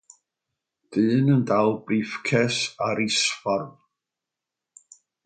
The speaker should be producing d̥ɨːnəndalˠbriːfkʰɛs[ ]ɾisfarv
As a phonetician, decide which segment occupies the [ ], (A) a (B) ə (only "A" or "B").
A